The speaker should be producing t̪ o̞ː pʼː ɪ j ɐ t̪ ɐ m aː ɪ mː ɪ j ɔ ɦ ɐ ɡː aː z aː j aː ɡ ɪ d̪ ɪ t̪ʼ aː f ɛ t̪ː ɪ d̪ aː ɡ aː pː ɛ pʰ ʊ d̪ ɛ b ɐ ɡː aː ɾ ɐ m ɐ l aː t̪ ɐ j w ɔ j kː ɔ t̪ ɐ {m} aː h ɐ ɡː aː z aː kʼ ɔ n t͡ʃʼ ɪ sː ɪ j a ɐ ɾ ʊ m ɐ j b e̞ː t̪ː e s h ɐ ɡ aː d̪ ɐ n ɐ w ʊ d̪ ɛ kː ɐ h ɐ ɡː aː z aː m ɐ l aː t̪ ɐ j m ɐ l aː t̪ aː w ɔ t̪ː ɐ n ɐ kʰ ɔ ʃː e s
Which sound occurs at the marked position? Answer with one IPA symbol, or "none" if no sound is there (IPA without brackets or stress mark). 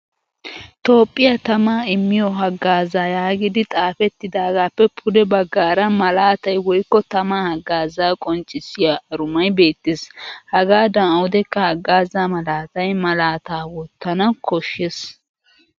m